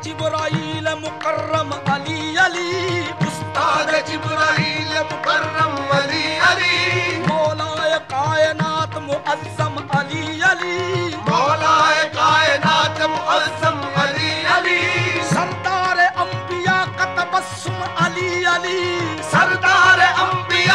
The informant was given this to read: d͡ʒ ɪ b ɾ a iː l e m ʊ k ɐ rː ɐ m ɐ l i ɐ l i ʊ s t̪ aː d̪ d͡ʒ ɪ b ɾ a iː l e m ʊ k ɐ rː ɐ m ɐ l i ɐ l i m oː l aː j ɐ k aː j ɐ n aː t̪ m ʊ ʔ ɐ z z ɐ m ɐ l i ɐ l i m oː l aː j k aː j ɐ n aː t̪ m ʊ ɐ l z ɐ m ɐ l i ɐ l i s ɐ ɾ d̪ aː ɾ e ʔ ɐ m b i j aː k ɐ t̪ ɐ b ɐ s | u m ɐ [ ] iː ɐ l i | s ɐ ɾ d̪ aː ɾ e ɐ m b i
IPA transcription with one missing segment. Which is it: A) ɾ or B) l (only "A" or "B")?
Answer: B